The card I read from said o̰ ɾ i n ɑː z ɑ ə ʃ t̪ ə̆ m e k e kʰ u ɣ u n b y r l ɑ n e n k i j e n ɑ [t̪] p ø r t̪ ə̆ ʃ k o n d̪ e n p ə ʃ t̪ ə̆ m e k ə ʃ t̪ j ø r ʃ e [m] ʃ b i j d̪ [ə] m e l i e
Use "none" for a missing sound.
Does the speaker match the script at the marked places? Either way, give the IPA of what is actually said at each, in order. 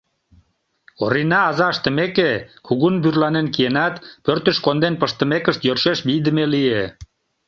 t̪, none, ə

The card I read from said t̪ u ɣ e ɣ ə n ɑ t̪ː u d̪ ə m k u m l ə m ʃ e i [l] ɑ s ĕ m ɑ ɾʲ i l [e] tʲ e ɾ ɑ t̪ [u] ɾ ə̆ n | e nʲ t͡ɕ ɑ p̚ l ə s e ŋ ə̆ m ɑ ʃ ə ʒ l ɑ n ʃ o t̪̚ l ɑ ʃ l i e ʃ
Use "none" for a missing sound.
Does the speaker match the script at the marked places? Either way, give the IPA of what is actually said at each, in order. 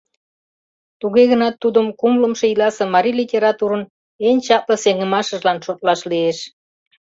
l, i, u

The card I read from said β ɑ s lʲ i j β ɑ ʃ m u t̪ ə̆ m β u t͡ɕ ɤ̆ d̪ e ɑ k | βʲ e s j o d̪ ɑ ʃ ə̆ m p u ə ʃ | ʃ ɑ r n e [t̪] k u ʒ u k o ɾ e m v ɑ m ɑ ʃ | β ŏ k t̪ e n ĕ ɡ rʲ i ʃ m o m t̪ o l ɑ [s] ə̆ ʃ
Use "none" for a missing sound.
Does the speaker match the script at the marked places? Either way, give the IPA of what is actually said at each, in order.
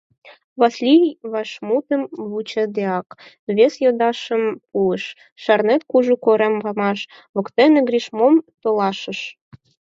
t̪, ʃ

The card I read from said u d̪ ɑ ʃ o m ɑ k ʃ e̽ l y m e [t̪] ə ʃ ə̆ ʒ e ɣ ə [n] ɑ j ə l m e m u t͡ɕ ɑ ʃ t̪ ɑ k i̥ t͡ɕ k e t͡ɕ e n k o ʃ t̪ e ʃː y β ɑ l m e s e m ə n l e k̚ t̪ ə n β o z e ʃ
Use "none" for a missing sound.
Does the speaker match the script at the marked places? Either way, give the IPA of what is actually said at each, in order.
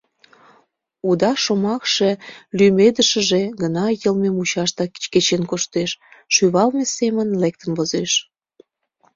d̪, n

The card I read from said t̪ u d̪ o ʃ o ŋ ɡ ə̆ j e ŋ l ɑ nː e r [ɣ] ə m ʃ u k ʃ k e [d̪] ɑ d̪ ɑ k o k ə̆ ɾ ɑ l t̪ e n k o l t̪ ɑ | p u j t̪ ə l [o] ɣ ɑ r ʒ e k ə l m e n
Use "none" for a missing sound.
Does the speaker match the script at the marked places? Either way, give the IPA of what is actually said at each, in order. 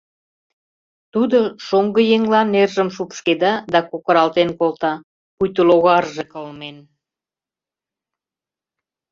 ʒ, d̪, o

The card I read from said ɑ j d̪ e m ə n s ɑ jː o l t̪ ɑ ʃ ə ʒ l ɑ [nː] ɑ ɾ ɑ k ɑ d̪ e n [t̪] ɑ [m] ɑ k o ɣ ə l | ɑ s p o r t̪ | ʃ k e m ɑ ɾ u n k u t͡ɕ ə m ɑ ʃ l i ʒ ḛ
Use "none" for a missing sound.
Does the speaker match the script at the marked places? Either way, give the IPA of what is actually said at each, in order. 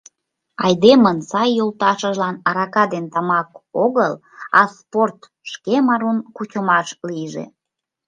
n, t̪, m

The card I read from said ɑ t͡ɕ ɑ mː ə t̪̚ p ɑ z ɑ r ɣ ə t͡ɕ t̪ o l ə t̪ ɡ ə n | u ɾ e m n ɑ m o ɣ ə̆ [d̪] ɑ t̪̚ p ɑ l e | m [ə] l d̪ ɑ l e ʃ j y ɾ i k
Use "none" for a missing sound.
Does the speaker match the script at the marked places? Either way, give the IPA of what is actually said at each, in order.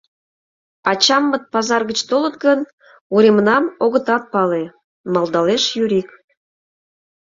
t̪, ɑ

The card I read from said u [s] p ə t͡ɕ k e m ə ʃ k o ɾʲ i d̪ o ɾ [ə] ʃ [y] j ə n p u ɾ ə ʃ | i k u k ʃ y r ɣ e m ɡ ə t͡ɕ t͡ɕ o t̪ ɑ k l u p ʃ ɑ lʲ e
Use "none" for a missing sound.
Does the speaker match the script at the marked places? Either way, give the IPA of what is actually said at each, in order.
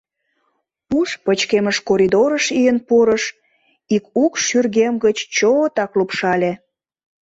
ʃ, ə, i

